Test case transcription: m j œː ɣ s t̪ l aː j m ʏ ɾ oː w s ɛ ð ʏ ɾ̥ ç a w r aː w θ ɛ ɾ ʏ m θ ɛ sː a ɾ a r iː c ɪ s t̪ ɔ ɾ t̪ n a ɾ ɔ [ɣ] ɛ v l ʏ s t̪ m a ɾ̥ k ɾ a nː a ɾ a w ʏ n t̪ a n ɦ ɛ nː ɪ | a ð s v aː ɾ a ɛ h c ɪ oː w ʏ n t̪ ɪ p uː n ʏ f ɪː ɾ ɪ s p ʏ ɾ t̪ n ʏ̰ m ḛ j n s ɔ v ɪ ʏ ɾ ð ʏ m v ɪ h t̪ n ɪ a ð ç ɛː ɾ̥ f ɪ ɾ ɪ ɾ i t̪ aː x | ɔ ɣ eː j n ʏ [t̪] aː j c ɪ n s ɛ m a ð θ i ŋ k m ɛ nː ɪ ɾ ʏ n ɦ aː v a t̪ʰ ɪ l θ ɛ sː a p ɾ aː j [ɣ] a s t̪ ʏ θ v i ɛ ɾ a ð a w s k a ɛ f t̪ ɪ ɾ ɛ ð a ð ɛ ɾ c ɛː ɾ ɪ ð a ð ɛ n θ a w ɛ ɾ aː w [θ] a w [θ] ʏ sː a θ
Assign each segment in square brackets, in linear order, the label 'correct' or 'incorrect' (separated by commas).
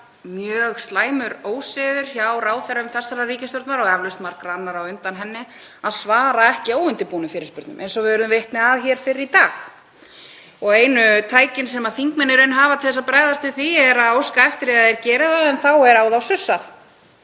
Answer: correct, incorrect, incorrect, incorrect, incorrect